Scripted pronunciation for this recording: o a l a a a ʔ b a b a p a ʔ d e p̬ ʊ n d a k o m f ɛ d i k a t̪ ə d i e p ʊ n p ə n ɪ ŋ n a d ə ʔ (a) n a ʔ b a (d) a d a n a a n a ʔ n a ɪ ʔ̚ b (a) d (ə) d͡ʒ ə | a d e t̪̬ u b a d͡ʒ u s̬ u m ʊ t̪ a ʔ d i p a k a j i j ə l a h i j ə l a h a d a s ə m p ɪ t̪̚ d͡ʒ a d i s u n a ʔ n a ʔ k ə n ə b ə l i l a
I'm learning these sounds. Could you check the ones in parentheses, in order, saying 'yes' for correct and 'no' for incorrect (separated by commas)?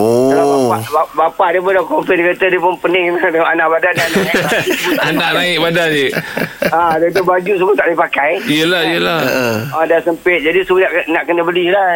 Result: yes, yes, yes, no